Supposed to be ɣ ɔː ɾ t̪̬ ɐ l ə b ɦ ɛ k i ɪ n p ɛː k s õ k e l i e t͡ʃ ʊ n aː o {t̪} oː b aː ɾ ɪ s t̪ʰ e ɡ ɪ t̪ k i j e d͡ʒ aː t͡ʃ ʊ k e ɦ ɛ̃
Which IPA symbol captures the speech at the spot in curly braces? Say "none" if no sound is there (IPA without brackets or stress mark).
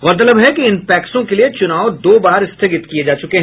d̪